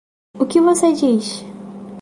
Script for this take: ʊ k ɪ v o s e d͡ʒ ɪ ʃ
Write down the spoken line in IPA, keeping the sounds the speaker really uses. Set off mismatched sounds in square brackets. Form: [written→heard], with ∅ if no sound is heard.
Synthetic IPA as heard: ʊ k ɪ v o s e d͡ʒ [ɪ→i] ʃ